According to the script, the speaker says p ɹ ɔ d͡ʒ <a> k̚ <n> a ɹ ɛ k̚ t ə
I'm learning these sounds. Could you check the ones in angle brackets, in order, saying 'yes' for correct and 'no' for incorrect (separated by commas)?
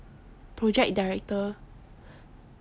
no, no